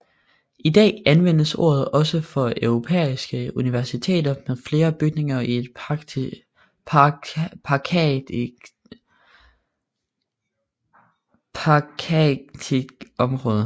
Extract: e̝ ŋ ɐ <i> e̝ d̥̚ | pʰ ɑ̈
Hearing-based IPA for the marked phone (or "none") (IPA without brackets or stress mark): i